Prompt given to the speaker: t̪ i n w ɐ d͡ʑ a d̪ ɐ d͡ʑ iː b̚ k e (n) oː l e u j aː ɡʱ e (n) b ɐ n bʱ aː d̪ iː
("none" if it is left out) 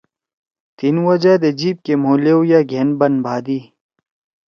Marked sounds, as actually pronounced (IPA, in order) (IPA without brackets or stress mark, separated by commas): m, n